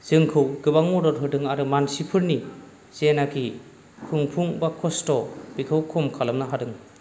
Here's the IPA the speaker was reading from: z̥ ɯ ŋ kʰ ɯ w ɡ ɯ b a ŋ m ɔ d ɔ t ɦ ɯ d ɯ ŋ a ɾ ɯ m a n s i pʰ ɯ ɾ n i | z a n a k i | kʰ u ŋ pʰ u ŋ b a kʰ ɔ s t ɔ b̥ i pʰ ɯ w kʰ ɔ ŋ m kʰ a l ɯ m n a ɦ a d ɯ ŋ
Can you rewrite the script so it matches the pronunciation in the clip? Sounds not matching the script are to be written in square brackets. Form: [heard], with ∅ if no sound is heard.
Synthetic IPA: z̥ ɯ ŋ kʰ ɯ w ɡ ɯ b a ŋ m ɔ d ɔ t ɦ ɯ d ɯ ŋ a ɾ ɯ m a n s i pʰ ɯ ɾ n i | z [e] n a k i | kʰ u ŋ pʰ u ŋ b a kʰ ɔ s t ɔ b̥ i [kʰ] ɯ w kʰ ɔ [∅] m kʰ a l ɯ m n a ɦ a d ɯ ŋ

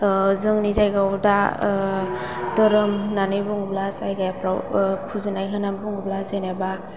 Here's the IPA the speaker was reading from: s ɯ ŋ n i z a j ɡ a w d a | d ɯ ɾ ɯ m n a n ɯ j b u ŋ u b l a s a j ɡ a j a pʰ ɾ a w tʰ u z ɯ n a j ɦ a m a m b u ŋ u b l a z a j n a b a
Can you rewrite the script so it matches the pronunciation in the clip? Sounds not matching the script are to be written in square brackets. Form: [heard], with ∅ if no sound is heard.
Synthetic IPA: [z] ɯ ŋ n i z a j ɡ a w d a | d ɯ ɾ ɯ m n a n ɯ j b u ŋ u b l a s a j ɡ a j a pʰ ɾ a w [pʰ] u z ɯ n a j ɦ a [n] a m b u ŋ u b l a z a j n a b a

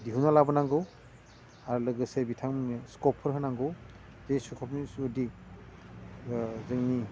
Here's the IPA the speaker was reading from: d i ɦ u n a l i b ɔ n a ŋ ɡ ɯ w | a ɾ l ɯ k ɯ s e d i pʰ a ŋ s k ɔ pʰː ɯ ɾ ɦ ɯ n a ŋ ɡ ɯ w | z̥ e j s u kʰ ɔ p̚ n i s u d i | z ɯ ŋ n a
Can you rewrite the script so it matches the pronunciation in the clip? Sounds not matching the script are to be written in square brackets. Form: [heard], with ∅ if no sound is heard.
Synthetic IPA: d i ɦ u n a l [a] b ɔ n a ŋ ɡ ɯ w | a ɾ l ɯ [ɡ] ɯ s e [b] i [tʰ] a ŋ s k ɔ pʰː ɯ ɾ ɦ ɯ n a ŋ ɡ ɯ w | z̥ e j s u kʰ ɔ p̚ n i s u d i | z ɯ ŋ n [i]

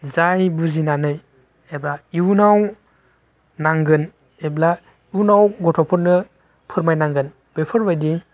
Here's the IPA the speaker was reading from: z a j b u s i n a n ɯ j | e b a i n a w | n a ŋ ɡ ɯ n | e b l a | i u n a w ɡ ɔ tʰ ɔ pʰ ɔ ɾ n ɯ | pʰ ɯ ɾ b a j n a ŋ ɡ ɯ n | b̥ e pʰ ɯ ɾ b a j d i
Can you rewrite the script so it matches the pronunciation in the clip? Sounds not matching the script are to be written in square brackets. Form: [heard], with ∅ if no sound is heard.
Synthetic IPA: z a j b u [z] i n a n ɯ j | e b a i n a w | n a ŋ ɡ ɯ n | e b l a | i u n a w ɡ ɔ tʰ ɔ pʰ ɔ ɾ n ɯ | pʰ ɯ ɾ [m] a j n a ŋ ɡ ɯ n | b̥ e pʰ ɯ ɾ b a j d i

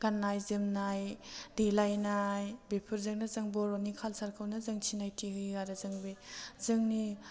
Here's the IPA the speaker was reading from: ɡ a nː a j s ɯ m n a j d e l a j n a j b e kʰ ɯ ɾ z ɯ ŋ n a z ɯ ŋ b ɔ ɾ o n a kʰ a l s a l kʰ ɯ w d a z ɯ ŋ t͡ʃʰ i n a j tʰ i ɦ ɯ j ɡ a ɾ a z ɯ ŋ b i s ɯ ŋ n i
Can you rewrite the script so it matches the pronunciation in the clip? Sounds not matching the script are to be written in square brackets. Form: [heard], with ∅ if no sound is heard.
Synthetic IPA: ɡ a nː a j [z] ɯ m n a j d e l a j n a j b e [pʰ] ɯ ɾ z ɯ ŋ n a z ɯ ŋ b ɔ ɾ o n [i] kʰ a l s a [ɾ] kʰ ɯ w [n] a z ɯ ŋ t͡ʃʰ i n a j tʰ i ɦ ɯ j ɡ a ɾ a z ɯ ŋ b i [z] ɯ ŋ n i

